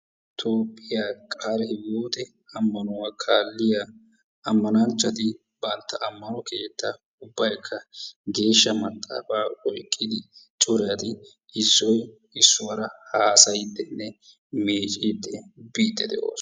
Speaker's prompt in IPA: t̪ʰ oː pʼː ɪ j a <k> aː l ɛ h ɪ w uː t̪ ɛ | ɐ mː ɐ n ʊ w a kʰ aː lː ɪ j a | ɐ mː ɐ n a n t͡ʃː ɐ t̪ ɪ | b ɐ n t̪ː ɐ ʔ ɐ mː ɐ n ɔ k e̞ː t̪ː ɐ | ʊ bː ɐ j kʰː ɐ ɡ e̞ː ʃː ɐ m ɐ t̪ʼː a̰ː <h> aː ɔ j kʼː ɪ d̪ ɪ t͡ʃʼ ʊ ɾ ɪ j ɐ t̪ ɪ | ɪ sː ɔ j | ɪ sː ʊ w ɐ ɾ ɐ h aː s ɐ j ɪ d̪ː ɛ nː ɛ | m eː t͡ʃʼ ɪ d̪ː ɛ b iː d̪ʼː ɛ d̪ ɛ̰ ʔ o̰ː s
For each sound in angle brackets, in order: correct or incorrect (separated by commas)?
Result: incorrect, incorrect